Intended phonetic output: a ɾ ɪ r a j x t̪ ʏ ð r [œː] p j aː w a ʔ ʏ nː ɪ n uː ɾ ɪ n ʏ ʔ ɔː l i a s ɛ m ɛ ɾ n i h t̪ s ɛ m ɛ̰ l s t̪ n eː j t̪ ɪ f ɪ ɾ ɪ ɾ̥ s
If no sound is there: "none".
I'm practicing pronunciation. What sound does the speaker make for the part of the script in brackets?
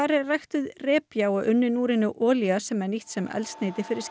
ɛː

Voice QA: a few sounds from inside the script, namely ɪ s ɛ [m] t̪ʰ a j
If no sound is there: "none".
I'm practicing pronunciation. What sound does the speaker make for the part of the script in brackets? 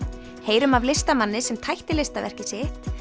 m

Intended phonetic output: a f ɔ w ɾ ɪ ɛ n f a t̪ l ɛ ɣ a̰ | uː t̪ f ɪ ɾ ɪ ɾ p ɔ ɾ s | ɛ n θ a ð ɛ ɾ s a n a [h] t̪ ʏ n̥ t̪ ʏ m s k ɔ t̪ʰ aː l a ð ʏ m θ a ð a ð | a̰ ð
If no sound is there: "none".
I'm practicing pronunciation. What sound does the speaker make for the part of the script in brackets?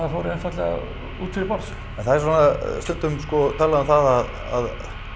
s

